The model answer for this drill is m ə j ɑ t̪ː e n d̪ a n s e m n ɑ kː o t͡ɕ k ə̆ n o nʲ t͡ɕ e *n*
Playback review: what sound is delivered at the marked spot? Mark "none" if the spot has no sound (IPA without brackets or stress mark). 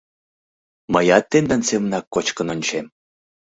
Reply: m